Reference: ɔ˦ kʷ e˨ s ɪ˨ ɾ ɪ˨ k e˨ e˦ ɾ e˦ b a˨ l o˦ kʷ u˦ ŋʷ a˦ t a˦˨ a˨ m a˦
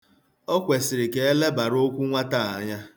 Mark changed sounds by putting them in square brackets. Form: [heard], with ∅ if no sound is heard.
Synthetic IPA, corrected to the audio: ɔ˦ kʷ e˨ s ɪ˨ ɾ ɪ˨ k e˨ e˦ [l] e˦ b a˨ [ɾ] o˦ kʷ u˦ ŋʷ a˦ t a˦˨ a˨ [ɲ] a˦